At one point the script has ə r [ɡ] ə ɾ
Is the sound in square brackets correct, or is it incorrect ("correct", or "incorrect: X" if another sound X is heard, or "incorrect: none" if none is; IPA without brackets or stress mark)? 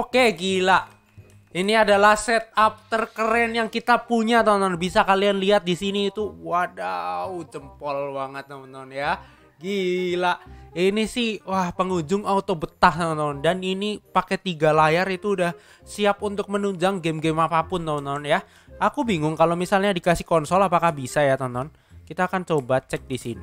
incorrect: k